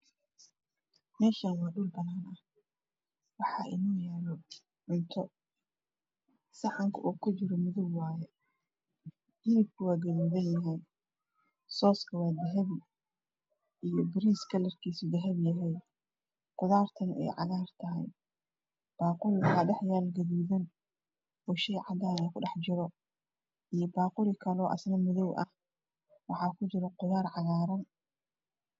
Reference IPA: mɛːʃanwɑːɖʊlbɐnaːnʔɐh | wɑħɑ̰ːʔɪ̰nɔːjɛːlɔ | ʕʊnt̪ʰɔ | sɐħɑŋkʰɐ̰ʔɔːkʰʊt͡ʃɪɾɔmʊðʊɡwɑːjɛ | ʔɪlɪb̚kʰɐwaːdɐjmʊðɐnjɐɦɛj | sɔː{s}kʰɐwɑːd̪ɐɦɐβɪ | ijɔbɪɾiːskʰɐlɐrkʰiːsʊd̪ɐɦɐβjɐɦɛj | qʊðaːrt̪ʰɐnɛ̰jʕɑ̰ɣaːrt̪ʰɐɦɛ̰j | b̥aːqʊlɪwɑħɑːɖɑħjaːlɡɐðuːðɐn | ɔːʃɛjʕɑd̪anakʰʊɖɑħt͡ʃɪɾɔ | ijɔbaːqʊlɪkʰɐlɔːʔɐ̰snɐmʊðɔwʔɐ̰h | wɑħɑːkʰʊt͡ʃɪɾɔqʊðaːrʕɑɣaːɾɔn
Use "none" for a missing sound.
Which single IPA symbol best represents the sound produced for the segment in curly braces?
s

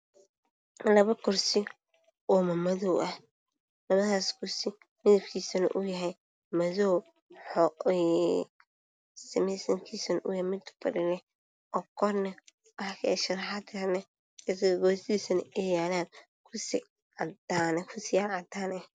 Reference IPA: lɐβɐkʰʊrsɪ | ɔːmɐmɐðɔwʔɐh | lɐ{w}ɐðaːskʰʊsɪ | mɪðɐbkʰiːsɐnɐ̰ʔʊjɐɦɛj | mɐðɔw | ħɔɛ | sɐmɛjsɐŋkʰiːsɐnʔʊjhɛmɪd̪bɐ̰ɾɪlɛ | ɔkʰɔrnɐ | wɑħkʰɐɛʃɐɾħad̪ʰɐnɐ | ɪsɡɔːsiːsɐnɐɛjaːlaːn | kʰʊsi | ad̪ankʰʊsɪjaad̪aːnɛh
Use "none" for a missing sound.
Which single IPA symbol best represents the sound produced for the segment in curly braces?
β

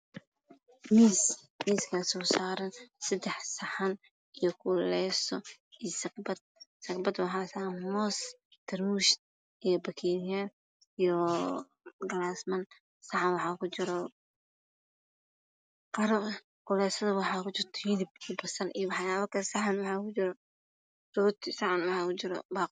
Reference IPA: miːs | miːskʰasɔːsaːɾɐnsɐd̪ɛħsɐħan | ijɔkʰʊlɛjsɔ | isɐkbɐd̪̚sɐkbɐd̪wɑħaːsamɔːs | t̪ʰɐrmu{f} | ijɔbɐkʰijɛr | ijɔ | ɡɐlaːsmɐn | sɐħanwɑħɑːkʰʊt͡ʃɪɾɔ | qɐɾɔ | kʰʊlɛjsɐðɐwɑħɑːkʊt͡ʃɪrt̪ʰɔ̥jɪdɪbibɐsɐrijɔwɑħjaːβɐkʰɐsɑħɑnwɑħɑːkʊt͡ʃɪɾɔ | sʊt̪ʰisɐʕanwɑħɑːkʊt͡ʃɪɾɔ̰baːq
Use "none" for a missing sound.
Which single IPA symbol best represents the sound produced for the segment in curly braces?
ʃ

